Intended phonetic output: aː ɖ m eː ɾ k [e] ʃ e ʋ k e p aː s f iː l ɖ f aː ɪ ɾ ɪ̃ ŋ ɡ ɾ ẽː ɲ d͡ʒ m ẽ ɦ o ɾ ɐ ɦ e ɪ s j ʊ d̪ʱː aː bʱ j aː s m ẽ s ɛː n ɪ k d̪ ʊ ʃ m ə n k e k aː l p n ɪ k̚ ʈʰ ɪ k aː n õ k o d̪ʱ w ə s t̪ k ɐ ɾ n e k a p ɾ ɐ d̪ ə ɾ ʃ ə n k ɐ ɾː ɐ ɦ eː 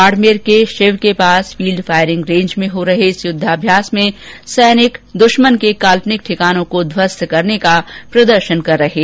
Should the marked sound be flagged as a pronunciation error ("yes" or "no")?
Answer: no